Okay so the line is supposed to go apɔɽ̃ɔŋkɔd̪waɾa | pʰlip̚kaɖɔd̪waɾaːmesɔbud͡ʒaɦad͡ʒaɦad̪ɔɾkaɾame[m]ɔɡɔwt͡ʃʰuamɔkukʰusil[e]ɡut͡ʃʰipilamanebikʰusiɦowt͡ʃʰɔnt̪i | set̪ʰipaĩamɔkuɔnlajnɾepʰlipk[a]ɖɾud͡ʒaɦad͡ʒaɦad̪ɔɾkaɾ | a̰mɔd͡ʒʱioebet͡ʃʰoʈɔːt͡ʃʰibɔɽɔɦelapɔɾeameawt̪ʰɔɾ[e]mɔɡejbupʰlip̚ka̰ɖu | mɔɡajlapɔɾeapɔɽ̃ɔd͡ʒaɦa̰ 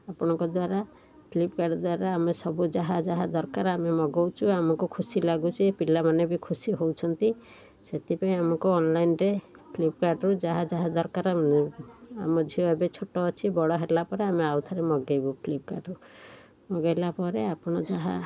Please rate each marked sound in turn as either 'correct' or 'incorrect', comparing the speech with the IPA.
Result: correct, incorrect: a, correct, correct

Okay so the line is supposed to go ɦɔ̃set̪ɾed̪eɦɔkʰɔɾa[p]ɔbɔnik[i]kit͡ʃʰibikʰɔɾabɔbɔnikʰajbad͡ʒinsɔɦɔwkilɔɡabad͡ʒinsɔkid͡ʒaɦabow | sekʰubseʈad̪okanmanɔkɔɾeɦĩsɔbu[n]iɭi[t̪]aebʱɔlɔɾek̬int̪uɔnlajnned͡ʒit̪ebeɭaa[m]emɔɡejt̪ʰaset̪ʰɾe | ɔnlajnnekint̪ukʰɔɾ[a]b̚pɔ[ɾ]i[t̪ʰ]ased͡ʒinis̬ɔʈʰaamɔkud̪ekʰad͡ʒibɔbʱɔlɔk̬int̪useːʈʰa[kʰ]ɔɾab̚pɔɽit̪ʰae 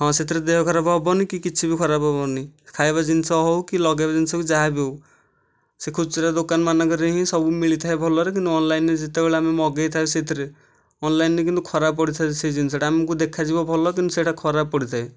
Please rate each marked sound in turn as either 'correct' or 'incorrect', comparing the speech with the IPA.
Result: incorrect: b, correct, incorrect: m, incorrect: t̪ʰ, correct, correct, incorrect: ɽ, correct, correct

